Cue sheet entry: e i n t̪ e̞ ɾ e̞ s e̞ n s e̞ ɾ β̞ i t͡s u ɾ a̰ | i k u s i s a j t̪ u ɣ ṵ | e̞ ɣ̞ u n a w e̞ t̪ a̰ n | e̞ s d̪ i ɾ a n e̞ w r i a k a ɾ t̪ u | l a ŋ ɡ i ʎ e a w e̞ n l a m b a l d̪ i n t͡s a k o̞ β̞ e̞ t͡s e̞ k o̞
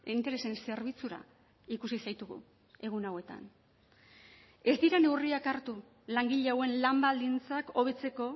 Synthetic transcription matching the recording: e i n t̪ e̞ ɾ e̞ s e̞ n s e̞ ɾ β̞ i t͡s u ɾ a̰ | i k u s i s a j t̪ u ɣ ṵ | e̞ ɣ̞ u n a w e̞ t̪ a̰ n | e̞ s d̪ i ɾ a n e̞ w r i a k a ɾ t̪ u | l a ŋ ɡ i ʎ e a w e̞ n l a m b a l d̪ i n t͡s a k o̞ β̞ e̞ t͡s e̞ k o̞